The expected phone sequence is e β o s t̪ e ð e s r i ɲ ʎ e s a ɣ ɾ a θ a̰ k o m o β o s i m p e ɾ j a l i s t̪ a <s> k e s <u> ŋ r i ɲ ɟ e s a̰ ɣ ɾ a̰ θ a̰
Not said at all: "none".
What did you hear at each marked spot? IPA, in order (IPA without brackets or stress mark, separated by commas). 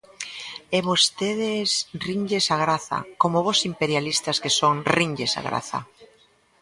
s, o